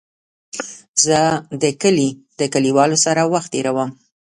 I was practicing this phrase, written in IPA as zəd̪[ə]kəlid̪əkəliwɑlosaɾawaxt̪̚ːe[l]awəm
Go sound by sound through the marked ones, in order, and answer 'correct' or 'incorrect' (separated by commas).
correct, incorrect